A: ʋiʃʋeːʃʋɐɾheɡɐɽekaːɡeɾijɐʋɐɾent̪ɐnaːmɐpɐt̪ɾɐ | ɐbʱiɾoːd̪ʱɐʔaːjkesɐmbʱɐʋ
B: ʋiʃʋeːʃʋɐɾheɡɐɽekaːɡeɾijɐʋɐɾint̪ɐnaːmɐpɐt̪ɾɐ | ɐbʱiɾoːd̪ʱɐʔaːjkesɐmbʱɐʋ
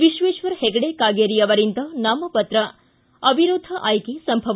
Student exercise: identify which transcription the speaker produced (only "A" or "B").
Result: B